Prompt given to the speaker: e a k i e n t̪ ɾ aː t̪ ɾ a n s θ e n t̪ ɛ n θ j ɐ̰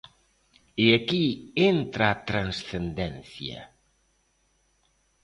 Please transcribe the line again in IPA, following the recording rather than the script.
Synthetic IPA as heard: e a k i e n t̪ ɾ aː t̪ ɾ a n s θ e n d̪ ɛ n θ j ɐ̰